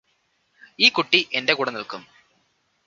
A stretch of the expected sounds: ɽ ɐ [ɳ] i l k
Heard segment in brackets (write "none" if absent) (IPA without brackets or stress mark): n